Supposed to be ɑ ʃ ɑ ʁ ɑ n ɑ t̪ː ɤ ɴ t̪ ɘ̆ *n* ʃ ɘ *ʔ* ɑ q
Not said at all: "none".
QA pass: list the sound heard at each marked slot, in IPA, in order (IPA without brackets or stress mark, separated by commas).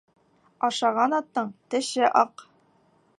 none, ʔ